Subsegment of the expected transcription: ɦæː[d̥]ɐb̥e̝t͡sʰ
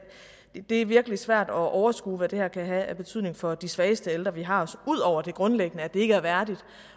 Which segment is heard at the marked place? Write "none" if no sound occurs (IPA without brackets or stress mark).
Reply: none